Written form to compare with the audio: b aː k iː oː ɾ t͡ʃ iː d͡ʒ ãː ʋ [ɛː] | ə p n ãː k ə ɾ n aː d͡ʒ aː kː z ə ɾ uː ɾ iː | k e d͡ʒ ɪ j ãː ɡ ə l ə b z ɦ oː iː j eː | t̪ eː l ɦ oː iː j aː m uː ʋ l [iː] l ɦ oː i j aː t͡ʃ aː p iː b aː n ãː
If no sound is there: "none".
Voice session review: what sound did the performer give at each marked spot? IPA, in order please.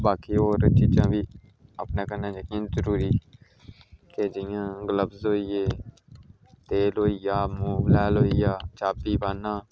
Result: iː, ɛː

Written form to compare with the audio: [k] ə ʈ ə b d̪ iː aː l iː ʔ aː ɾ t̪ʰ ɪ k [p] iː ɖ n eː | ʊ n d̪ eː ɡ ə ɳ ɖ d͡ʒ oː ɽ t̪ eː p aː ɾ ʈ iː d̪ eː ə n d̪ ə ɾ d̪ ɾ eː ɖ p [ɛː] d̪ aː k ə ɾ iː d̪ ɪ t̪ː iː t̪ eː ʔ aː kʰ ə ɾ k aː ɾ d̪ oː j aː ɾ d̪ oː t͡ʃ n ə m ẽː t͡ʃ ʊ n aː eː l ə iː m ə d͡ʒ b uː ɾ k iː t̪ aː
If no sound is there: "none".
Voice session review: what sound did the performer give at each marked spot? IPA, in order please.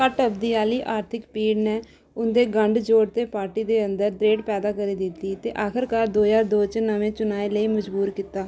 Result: k, p, ɛː

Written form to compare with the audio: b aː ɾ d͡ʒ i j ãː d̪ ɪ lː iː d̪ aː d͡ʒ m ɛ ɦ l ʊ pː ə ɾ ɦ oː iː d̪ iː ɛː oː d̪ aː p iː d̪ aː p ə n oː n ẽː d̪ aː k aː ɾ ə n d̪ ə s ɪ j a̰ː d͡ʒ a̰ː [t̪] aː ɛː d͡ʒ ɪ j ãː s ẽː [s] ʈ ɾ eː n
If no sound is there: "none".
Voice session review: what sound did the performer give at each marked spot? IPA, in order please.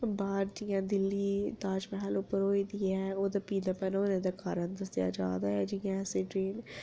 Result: d̪, none

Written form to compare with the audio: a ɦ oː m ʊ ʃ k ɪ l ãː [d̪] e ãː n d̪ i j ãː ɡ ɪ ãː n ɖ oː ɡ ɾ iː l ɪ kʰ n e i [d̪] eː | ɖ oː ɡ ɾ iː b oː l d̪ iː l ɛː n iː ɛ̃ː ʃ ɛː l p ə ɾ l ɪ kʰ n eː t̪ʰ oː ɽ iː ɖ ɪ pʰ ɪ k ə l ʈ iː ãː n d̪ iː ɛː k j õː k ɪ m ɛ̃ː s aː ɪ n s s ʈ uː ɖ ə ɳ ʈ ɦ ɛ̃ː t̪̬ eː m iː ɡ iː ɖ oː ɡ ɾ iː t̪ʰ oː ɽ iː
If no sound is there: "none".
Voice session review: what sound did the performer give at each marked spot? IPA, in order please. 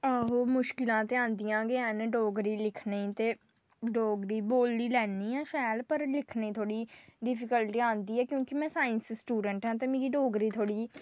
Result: t̪, t̪

